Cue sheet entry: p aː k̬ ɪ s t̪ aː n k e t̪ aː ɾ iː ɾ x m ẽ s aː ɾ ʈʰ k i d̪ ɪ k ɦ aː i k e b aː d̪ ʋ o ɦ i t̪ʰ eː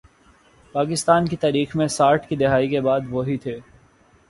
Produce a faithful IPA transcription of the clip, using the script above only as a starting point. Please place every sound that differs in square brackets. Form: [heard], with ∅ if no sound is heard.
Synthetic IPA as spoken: p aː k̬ ɪ s t̪ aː n k [i] t̪ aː ɾ iː [∅] x m ẽ s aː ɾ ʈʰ k i d̪ ɪ [∅] ɦ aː i k e b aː d̪ ʋ o ɦ i t̪ʰ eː